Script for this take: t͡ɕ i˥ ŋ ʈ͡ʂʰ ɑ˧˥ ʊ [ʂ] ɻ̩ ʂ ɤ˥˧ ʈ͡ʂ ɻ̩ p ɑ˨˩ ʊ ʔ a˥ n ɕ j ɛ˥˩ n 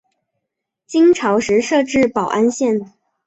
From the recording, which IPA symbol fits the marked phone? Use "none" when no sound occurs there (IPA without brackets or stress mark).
ʂ